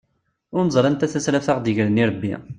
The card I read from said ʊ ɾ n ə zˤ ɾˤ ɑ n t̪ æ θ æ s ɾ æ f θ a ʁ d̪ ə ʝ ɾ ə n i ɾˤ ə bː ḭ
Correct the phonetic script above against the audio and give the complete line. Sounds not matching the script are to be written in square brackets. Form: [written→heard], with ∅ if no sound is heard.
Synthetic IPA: ʊ ɾ n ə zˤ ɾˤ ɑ n t̪ æ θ æ s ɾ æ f θ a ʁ d̪ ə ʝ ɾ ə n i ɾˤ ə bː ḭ